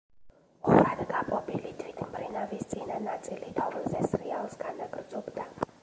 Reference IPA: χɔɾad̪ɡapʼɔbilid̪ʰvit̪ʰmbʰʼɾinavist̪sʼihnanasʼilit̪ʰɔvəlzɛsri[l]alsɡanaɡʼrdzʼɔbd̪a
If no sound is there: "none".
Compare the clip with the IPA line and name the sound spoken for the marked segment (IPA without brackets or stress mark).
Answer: none